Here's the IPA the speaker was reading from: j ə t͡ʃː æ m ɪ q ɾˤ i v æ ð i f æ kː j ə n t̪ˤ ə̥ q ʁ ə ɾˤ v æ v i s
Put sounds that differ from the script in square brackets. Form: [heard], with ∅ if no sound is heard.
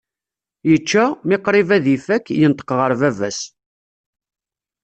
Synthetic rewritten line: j ə t͡ʃː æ m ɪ q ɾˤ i v æ ð i f æ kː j ə n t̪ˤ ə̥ q ʁ ə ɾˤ v æ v [æ] s